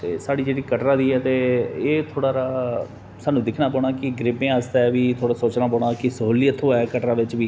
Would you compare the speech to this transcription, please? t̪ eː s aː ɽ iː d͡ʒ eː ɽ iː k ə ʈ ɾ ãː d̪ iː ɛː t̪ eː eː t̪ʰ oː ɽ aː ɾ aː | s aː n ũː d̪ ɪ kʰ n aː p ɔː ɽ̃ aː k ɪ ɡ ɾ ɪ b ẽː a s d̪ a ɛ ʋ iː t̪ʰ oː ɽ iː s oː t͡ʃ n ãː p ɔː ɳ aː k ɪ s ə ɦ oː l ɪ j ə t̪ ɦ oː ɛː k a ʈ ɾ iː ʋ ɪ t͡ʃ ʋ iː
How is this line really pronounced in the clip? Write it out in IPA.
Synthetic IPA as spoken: t̪ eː s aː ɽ iː d͡ʒ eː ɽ iː k ə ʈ ɾ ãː d̪ iː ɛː t̪ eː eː t̪ʰ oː ɽ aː ɾ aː | s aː n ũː d̪ ɪ kʰ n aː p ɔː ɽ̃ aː k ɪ ɡ ɾ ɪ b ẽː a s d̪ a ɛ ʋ iː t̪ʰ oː ɽ aː s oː t͡ʃ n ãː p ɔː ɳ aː k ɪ s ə ɦ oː l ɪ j ə t̪ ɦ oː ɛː k ə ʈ ɾ aː ʋ ɪ t͡ʃ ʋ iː